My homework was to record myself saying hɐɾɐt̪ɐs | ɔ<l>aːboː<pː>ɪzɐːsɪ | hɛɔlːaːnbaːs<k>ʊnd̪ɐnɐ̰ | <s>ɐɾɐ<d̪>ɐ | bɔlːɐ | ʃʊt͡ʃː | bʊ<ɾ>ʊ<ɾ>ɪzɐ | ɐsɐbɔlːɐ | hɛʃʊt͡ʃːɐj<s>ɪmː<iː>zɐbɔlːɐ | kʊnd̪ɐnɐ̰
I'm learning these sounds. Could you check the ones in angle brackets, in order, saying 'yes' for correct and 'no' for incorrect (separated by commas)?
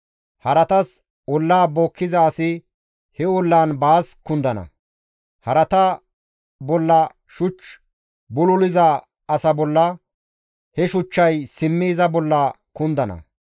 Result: no, no, yes, no, no, no, no, yes, yes